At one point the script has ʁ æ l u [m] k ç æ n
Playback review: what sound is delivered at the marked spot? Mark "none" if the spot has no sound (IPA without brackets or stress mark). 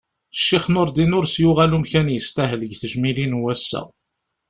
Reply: m